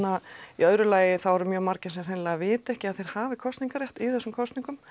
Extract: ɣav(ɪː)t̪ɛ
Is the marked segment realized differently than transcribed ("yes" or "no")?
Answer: no